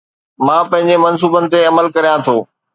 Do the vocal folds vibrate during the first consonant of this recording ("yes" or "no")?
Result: yes